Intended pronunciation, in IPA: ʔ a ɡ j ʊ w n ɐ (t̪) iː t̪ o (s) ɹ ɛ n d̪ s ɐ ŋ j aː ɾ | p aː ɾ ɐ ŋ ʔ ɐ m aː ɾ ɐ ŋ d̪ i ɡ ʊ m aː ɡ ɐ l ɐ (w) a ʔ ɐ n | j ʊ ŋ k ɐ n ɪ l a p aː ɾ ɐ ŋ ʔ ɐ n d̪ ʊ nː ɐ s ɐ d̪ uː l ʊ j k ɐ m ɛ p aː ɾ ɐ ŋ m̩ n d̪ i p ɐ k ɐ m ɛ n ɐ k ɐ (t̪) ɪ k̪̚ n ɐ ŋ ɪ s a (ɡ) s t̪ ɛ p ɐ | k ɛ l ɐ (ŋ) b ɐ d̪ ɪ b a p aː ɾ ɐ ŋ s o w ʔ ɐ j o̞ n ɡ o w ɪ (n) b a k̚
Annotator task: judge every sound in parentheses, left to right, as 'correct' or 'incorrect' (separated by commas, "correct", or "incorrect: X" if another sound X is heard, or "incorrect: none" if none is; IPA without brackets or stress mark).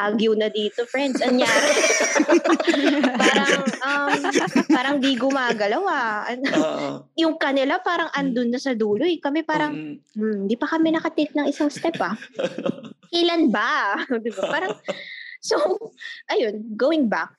incorrect: d̪, incorrect: f, correct, correct, incorrect: ŋ, incorrect: n, incorrect: ŋ